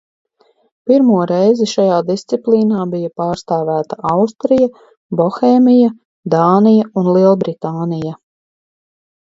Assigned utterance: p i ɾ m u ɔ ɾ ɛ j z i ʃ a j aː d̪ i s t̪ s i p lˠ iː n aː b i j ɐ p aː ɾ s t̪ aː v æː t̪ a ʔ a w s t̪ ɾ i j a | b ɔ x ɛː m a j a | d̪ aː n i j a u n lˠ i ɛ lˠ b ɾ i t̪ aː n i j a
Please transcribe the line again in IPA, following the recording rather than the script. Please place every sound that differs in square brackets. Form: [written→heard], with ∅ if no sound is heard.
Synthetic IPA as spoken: p i ɾ m u ɔ ɾ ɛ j z i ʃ a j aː d̪ i s t̪ s i p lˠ iː n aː b i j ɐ p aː ɾ s t̪ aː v æː t̪ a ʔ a w s t̪ ɾ i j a | b ɔ x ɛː m [a→i] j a | d̪ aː n i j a u n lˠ i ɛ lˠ b ɾ i t̪ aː n i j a